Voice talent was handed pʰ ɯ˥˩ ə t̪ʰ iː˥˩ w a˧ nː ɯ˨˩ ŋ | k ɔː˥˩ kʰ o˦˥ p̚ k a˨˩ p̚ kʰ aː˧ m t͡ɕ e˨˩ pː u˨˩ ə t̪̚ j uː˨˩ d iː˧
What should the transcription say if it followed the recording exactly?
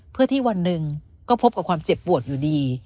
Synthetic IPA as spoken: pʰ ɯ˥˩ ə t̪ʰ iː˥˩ w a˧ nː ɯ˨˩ ŋ | k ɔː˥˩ pʰ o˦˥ p̚ k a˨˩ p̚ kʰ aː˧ m t͡ɕ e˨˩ pː u˨˩ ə t̪̚ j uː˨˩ d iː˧